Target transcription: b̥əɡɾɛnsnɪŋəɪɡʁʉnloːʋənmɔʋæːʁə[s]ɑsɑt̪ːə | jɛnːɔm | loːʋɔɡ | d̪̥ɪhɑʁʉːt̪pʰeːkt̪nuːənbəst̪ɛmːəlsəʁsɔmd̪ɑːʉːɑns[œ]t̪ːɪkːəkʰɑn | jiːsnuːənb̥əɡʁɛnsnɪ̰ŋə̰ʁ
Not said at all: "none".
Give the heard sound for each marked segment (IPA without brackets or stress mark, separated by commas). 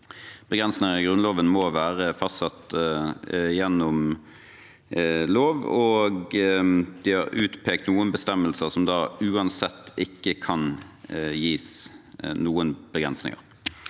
f, ɛ